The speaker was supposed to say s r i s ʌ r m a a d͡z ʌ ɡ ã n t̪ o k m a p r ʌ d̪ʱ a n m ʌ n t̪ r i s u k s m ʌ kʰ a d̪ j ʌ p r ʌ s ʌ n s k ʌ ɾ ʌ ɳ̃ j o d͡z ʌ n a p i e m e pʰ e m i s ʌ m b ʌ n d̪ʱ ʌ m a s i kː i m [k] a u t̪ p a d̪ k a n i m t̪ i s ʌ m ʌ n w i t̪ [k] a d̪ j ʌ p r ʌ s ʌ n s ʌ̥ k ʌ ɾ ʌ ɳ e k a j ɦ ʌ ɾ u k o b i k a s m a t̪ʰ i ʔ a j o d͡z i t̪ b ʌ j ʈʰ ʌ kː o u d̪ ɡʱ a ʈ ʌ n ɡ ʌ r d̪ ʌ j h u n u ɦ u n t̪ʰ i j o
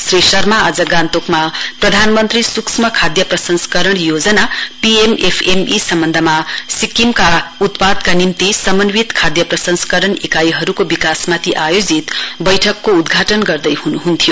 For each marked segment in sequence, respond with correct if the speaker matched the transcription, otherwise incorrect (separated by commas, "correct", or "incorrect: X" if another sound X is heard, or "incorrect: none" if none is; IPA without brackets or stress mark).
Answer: correct, incorrect: kʰ